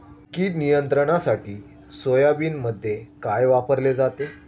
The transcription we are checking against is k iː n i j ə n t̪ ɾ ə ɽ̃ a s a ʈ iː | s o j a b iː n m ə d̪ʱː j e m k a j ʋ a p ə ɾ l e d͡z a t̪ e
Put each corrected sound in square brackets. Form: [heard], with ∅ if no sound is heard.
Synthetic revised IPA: k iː n i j ə n t̪ ɾ ə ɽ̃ a s a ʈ iː | s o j a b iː n m ə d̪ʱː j e [∅] k a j ʋ a p ə ɾ l e d͡z a t̪ e